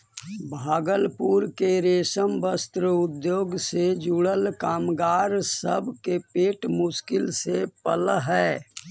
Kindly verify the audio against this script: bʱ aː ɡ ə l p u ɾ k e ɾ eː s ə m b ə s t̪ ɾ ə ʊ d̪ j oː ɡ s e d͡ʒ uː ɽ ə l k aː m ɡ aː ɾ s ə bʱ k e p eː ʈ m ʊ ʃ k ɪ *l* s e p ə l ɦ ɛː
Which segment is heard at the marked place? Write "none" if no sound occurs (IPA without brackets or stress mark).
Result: l